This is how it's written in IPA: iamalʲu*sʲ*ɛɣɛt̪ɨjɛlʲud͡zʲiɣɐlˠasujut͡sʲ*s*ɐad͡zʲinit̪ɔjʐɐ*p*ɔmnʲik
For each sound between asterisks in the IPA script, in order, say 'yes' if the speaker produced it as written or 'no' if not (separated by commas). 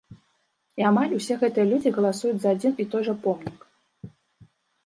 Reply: yes, no, yes